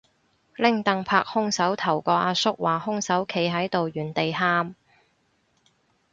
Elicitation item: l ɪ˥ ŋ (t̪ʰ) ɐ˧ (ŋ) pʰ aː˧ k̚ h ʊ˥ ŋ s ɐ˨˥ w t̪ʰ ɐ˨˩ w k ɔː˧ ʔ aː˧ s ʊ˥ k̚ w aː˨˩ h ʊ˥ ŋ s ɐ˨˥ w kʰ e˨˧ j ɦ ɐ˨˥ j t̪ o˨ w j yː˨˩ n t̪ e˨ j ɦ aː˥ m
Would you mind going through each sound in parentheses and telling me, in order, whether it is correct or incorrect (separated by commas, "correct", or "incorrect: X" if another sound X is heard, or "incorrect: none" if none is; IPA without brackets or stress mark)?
incorrect: t̪, correct